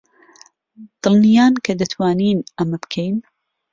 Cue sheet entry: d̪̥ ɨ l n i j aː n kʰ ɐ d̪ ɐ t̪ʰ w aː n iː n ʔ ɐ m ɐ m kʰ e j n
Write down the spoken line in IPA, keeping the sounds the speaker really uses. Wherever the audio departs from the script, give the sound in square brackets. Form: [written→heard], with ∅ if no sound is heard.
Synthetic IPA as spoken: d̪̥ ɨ l n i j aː n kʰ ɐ d̪ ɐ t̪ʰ w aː n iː n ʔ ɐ m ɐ [m→b] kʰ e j n